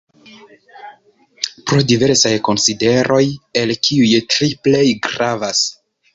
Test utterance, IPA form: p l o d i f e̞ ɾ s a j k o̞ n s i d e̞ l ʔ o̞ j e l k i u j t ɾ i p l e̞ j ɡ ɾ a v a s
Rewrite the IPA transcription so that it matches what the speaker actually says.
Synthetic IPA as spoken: p ɾ o d i v e̞ ɾ s a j k o̞ n s i d e̞ ɾ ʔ o̞ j e l k i u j t ɾ i p l e̞ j ɡ ɾ a v a s